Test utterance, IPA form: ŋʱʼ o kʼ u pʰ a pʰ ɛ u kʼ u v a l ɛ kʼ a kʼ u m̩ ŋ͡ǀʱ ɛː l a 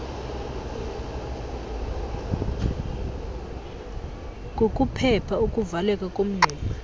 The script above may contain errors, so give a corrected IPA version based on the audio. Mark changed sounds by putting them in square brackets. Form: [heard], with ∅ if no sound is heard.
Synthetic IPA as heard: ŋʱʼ o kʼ u pʰ [ɛ] pʰ [a] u kʼ u v a l ɛ kʼ a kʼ [o] m̩ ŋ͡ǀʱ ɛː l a